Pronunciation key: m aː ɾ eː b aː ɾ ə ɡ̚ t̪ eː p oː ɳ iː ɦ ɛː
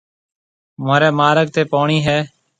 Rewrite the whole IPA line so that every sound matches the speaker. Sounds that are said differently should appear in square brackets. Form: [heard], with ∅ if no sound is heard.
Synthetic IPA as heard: m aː ɾ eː [m] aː ɾ ə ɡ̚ t̪ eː p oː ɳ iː ɦ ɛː